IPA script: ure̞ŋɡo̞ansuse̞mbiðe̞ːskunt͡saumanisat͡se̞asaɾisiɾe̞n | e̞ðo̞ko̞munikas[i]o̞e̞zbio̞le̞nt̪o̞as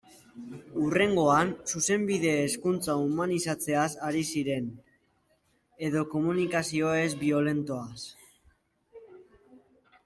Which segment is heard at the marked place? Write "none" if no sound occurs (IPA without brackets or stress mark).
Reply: i